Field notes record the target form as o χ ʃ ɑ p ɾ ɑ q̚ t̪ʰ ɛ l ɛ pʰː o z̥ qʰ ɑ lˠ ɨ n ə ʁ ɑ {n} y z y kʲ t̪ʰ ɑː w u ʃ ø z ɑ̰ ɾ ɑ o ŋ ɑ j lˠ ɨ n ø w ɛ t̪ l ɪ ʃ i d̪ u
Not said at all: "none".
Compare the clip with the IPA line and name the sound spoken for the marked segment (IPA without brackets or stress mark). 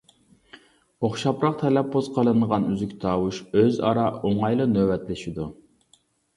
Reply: n